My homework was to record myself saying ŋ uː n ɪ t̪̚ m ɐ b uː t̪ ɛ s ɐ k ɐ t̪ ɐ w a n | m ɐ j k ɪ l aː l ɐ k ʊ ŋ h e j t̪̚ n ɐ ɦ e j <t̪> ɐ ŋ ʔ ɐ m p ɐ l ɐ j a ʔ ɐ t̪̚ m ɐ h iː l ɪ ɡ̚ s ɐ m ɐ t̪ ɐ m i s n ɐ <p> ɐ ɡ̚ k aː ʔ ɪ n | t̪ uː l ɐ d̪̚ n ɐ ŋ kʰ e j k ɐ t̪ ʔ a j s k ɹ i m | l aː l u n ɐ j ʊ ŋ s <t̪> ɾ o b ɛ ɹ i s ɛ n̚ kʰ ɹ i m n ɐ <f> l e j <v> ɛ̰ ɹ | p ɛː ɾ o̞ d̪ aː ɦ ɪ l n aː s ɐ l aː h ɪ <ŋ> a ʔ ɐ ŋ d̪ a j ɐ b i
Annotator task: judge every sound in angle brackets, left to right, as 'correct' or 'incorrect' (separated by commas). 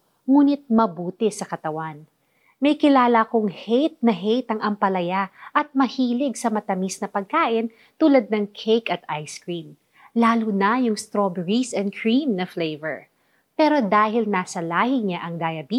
correct, correct, correct, correct, correct, incorrect